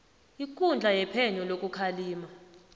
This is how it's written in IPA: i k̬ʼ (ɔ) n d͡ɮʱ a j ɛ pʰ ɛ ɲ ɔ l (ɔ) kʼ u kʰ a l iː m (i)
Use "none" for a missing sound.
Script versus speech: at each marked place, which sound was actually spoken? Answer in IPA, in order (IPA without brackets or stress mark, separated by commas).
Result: u, o, a